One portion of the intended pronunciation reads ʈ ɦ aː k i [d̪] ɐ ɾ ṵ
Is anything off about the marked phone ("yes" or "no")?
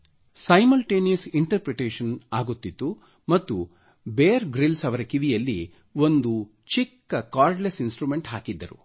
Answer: yes